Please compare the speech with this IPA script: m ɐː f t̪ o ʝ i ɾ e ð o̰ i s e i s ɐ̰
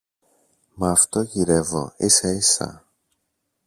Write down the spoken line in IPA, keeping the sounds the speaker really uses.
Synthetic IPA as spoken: m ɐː f t̪ o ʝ i ɾ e v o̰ i s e i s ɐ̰